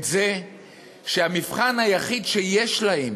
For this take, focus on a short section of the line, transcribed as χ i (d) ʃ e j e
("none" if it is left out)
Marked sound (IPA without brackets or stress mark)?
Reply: d